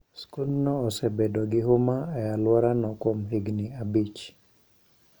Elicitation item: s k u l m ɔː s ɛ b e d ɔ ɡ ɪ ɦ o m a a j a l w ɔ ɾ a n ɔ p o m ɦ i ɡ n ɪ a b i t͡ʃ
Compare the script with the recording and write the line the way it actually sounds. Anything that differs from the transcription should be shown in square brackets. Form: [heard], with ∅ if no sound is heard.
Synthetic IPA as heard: s k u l [n] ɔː s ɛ b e d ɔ ɡ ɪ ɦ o m a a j a l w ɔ ɾ a n ɔ [k] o m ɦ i ɡ n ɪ a b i t͡ʃ